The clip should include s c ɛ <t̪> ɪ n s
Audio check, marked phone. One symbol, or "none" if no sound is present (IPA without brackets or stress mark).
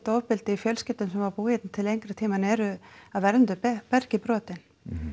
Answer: t̪